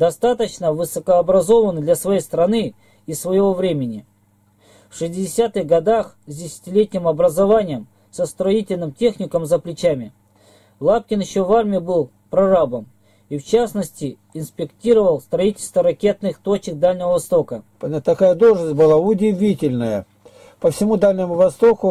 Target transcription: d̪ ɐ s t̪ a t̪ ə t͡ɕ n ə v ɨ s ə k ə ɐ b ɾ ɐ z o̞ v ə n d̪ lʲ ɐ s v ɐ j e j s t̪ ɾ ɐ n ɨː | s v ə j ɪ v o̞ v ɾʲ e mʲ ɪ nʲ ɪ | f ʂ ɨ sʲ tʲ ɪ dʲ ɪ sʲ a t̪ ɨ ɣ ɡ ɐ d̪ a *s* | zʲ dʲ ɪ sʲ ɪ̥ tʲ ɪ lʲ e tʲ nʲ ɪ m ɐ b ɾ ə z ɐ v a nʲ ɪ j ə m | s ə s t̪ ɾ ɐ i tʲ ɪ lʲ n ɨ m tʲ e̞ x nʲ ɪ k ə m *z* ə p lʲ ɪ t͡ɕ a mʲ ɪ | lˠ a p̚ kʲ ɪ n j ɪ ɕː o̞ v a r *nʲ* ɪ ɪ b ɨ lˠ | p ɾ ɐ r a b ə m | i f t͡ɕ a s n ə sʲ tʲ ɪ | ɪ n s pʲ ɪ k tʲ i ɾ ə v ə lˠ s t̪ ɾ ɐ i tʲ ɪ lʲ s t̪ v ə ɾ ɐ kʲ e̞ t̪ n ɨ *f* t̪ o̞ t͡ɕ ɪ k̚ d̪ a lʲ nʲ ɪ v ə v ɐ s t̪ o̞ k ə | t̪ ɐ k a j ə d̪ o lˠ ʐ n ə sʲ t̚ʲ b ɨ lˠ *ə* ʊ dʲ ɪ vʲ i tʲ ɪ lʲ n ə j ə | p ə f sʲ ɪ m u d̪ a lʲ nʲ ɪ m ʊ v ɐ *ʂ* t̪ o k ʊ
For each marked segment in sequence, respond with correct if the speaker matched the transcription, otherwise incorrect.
incorrect: x, correct, incorrect: mʲ, incorrect: x, incorrect: a, incorrect: s

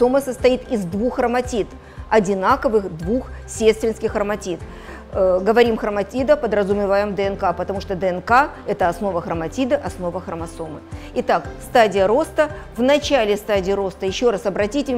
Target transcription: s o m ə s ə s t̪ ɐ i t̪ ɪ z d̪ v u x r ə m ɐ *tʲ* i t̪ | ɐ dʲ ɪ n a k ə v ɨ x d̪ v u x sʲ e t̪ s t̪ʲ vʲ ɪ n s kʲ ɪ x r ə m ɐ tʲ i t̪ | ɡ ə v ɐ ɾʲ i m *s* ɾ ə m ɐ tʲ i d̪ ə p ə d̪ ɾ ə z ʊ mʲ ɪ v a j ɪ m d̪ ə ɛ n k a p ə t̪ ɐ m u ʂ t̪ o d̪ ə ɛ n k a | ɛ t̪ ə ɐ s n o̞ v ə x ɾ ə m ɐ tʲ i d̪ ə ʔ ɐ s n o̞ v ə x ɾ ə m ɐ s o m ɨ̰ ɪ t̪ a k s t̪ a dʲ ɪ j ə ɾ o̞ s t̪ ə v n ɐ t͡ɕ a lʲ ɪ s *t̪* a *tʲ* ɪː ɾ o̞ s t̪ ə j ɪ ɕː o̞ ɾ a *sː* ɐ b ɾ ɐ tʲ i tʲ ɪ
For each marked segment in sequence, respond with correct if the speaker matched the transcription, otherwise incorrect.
correct, incorrect: x, correct, incorrect: dʲ, incorrect: s

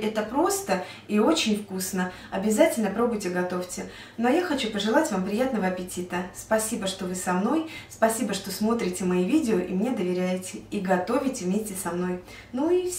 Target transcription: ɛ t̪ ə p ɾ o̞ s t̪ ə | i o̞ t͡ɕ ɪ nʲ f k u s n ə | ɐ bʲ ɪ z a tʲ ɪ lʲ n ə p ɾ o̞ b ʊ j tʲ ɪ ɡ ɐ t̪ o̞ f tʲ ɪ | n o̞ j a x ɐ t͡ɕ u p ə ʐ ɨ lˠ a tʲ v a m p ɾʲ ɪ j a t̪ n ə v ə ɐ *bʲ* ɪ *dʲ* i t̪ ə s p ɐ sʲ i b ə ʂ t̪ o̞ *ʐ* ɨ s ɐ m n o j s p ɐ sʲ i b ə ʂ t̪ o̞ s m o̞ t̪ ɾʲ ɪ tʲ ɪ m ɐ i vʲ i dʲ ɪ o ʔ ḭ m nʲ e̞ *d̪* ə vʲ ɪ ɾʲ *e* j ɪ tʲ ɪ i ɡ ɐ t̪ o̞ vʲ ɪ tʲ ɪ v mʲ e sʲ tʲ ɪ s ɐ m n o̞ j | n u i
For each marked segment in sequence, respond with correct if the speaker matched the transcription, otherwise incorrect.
incorrect: pʲ, incorrect: tʲ, incorrect: v, correct, incorrect: æ

